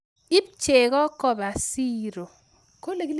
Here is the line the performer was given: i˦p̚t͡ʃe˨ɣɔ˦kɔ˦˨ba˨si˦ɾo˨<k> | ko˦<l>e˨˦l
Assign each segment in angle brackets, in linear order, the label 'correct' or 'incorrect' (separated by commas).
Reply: incorrect, correct